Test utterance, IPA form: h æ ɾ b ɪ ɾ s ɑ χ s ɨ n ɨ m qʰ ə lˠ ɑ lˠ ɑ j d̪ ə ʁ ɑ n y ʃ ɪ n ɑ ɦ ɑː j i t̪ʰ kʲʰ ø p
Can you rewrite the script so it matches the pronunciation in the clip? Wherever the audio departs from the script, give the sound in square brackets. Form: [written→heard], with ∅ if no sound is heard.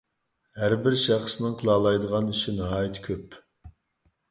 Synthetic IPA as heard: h æ ɾ b ɪ ɾ [s→ʃ] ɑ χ s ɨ n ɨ [m→ŋ] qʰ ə lˠ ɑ lˠ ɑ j d̪ ə ʁ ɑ n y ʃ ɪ n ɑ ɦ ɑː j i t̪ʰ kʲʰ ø p